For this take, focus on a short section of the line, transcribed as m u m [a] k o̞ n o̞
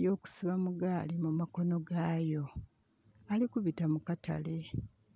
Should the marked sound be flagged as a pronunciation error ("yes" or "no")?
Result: no